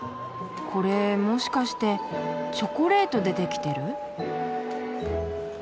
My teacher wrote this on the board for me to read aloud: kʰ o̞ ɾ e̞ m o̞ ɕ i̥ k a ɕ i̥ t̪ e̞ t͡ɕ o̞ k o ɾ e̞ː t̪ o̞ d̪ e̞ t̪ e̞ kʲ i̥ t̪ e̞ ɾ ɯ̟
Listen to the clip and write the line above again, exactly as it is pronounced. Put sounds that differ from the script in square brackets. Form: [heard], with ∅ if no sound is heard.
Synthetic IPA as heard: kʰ o̞ ɾ e̞ m o̞ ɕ i̥ k a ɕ i̥ t̪ e̞ t͡ɕ o̞ k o ɾ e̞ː t̪ o̞ d̪ e̞ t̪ e̞ kʲ i̥ t̪ e̞ ɾ ɯ̟

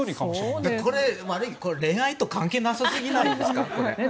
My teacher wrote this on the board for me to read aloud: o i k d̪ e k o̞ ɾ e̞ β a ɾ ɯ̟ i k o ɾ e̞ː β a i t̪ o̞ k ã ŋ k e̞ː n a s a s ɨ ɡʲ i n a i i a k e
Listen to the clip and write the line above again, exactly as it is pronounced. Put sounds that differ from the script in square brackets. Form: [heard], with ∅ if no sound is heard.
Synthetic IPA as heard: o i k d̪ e k o̞ ɾ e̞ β a ɾ ɯ̟ i k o ɾ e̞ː [∅] a i t̪ o̞ k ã ŋ k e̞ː n a s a s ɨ ɡʲ i n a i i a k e

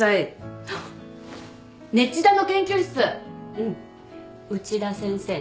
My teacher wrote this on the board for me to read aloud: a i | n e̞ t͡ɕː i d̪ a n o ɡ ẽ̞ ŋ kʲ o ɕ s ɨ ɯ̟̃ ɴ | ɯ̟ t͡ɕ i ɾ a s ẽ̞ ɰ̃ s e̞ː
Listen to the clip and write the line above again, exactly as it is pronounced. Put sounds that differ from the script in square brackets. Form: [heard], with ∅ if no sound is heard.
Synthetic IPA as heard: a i | n e̞ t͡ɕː i d̪ a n o [k] ẽ̞ ŋ kʲ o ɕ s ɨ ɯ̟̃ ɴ | ɯ̟ t͡ɕ i ɾ a s ẽ̞ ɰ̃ s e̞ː

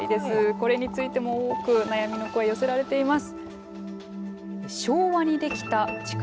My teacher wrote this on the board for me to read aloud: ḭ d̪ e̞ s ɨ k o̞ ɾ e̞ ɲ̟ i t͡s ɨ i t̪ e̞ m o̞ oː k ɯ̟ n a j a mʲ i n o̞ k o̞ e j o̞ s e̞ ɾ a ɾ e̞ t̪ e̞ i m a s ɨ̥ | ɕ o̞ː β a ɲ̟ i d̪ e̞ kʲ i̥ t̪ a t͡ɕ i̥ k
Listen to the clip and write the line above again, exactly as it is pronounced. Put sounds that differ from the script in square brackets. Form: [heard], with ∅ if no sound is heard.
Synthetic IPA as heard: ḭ d̪ e̞ s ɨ k o̞ ɾ e̞ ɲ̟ i t͡s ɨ i t̪ e̞ m o̞ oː k ɯ̟ n a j a mʲ i n o̞ k o̞ e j o̞ s e̞ ɾ a ɾ e̞ t̪ e̞ i m a s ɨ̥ | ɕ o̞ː β a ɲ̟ i d̪ e̞ kʲ i̥ t̪ a t͡ɕ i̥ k

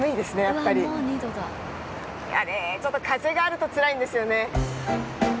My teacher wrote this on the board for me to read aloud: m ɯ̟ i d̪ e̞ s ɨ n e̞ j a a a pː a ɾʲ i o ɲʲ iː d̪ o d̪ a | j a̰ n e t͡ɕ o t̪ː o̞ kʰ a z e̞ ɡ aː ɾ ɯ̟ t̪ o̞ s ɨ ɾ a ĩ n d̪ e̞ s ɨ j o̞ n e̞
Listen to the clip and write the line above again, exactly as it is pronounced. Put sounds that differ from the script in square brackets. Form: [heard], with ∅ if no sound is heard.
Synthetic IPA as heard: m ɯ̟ i d̪ e̞ s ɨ n e̞ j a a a pː a ɾʲ i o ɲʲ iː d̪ o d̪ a | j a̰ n e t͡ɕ o t̪ː o̞ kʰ a z e̞ ɡ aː ɾ ɯ̟ t̪ o̞ [t͡s] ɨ ɾ a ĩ n d̪ e̞ s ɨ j o̞ n e̞

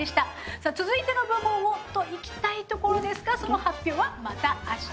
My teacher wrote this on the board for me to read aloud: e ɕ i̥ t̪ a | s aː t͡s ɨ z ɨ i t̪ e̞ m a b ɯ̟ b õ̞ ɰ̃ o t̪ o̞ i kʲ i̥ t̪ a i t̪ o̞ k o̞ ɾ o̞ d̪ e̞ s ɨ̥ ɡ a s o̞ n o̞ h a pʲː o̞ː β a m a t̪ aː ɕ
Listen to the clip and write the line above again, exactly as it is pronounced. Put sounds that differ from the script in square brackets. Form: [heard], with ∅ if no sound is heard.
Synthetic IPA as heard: e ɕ i̥ t̪ a | s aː t͡s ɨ z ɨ i t̪ e̞ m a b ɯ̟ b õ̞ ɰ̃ o t̪ o̞ i kʲ i̥ t̪ a i t̪ o̞ k o̞ ɾ o̞ d̪ e̞ s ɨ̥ ɡ a s o̞ n o̞ h a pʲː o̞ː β a m a t̪ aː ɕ

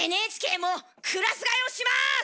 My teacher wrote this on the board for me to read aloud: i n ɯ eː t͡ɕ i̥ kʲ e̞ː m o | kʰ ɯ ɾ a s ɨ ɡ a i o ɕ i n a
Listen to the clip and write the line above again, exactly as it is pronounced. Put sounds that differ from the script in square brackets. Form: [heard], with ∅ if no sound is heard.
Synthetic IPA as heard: [e] n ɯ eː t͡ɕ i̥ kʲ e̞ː m o | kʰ ɯ ɾ a s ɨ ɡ a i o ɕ i [m] a

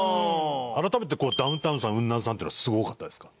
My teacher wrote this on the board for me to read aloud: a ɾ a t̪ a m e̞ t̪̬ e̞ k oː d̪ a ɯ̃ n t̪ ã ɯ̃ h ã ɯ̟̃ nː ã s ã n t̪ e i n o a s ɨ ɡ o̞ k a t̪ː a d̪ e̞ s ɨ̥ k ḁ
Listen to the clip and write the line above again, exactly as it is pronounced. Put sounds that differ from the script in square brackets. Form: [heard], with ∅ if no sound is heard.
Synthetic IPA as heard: a ɾ a t̪ a m e̞ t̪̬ e̞ k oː d̪ a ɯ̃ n t̪ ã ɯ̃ [s] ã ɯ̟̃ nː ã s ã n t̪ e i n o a s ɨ ɡ o̞ k a t̪ː a d̪ e̞ s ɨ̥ k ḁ

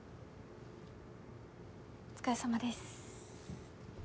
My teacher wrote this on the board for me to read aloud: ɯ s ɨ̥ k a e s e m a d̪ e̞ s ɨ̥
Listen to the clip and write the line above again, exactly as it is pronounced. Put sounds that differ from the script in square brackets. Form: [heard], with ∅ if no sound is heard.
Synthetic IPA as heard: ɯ [t͡s] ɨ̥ k a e s [a] m a d̪ e̞ s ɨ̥

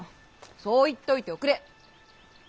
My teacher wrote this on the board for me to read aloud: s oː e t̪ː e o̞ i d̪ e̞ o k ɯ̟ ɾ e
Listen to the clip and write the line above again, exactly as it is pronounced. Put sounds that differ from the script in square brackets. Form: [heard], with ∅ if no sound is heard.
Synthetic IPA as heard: s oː [i] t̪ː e o̞ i [t̪] e̞ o k ɯ̟ ɾ e

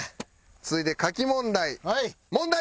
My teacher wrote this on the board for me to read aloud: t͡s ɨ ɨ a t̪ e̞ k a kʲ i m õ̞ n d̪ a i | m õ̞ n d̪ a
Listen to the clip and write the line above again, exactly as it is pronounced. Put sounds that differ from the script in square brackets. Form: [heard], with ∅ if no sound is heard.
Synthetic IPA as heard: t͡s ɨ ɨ [i] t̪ e̞ k a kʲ i m õ̞ n d̪ a i | m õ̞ n d̪ a

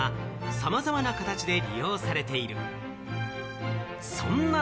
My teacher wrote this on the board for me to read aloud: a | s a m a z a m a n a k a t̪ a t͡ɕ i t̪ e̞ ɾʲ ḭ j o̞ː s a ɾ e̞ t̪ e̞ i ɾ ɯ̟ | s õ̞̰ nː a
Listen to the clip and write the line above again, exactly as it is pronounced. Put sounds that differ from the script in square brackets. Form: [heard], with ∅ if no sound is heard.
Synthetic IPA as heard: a | s a m a z a m a n a k a t̪ a t͡ɕ i [d̪] e̞ ɾʲ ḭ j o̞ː s a ɾ e̞ t̪ e̞ i ɾ ɯ̟ | s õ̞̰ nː a

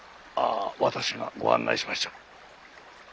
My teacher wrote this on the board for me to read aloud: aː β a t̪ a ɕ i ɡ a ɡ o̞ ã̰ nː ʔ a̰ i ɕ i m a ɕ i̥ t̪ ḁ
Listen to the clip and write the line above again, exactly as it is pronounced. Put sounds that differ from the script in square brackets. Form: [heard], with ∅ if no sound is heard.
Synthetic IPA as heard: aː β a t̪ a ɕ i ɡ a ɡ o̞ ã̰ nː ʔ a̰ i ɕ i m a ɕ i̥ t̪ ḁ

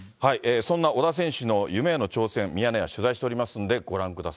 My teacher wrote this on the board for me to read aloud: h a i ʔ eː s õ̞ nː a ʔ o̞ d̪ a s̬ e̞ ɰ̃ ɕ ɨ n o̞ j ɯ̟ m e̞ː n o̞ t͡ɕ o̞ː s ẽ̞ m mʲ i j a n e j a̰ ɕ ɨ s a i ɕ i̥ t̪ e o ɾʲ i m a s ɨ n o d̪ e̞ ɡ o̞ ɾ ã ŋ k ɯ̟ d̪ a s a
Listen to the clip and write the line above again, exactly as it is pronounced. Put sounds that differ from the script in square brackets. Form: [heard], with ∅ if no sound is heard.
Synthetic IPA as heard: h a i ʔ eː s õ̞ nː a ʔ o̞ d̪ a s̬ [ẽ̞] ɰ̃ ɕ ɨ n o̞ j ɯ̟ m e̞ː n o̞ t͡ɕ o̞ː s ẽ̞ m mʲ i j a n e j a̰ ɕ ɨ [z] a i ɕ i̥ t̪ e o ɾʲ i m a s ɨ n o d̪ e̞ ɡ o̞ ɾ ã ŋ k ɯ̟ d̪ a s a

